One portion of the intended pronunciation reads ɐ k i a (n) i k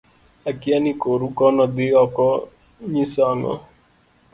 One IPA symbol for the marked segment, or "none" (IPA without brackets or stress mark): n